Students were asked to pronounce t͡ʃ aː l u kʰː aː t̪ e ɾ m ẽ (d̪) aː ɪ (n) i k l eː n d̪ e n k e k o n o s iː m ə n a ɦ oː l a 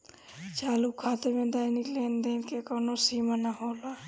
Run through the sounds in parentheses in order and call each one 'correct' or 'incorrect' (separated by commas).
correct, correct